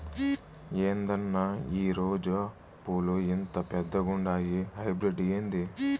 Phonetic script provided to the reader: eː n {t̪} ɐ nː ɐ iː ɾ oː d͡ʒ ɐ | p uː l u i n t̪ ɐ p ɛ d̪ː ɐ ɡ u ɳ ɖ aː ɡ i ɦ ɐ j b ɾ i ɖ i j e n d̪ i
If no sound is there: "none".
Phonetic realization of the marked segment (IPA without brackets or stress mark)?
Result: d̪